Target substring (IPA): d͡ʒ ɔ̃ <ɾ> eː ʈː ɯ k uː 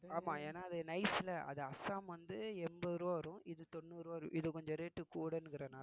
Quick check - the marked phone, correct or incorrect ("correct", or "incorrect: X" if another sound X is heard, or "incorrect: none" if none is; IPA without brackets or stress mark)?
correct